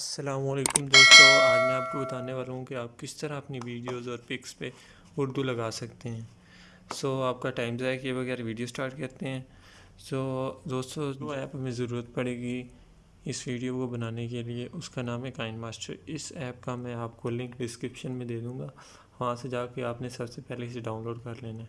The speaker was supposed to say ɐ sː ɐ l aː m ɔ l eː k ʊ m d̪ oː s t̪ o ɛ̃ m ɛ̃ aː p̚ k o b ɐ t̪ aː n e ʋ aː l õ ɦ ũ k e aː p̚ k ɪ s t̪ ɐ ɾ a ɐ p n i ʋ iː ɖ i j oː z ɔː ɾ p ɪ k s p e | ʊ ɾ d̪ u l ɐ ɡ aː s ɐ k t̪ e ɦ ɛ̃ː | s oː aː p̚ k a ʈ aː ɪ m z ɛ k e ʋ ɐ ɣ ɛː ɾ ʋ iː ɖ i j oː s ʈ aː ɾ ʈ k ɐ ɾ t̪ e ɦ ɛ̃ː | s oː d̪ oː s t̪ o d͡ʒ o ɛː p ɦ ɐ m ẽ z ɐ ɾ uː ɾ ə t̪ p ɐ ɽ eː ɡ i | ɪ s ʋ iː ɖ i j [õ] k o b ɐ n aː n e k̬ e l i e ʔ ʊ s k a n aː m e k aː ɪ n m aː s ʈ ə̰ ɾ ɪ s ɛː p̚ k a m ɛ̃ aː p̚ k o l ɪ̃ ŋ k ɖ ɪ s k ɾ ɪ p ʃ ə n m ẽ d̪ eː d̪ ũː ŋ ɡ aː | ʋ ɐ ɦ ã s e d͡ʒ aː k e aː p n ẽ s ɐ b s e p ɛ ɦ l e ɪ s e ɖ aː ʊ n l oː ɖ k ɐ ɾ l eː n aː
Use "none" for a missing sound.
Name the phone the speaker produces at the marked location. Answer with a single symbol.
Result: o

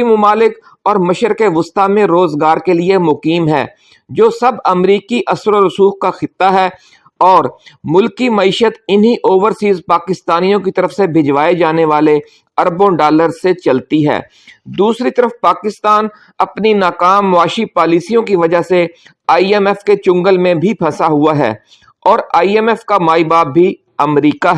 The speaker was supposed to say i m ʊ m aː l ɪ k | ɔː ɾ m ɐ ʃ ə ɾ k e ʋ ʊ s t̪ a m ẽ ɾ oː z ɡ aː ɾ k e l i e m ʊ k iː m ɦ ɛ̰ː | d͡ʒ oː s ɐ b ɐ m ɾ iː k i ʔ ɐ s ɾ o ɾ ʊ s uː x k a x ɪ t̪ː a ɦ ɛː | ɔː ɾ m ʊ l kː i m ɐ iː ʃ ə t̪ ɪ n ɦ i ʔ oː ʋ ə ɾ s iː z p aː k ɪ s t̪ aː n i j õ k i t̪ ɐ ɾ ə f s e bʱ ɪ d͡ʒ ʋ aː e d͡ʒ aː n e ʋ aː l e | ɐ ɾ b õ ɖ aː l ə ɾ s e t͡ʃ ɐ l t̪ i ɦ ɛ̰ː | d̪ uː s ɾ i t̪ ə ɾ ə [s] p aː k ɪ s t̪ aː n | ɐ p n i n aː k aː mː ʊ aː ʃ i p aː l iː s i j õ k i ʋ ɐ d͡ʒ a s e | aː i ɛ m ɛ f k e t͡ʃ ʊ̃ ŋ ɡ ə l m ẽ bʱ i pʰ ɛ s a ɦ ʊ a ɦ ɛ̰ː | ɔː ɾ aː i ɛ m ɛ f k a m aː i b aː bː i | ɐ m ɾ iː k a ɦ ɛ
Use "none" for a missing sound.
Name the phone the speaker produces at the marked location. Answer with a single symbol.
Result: f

